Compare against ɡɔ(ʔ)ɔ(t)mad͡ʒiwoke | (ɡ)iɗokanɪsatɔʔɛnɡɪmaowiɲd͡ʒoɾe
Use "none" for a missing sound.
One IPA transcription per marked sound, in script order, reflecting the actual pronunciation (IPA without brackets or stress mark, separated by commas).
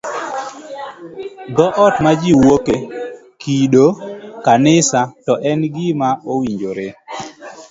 ʔ, t, k